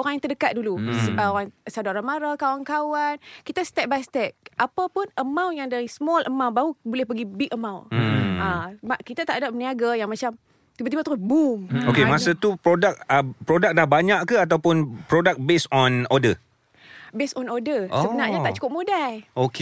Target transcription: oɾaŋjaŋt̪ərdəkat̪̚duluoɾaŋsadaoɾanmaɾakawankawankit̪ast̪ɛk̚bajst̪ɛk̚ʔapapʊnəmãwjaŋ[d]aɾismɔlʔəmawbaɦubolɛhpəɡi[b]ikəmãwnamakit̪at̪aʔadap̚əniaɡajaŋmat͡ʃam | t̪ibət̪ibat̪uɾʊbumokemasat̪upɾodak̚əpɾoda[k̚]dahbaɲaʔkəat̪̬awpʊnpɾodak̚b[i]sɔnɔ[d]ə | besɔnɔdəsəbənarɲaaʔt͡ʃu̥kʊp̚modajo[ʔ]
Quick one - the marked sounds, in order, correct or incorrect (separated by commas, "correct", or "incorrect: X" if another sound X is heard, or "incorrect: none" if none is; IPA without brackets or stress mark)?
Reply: correct, correct, correct, incorrect: e, correct, incorrect: k